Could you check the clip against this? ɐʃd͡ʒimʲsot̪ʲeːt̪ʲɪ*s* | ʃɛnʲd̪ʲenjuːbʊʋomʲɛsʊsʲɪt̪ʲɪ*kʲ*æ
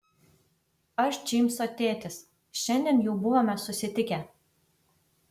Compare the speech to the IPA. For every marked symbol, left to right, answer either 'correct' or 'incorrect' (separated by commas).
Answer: correct, correct